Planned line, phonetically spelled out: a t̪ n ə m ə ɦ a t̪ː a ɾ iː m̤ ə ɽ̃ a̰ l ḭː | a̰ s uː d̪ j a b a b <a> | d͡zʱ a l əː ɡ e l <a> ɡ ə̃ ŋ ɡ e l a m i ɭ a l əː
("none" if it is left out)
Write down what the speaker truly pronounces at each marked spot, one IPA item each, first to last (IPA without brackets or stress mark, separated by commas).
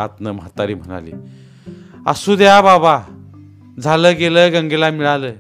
a, ə